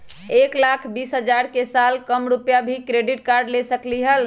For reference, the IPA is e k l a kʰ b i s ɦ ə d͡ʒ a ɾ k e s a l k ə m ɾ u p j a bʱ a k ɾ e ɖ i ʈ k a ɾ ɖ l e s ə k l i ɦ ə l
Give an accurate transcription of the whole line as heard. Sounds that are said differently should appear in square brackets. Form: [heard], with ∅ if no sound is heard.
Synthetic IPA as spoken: e k l a kʰ b i s ɦ ə d͡ʒ a ɾ k e s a l k ə m ɾ u p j a bʱ [i] k ɾ e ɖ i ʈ k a ɾ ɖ l e s ə k l i ɦ ə l